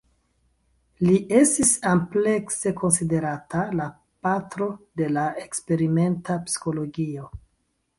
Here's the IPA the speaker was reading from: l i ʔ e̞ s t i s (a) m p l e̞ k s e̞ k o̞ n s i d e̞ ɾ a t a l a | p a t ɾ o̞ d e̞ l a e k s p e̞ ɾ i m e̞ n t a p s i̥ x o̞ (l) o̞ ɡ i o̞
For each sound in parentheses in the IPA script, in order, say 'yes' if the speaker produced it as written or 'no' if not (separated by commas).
yes, yes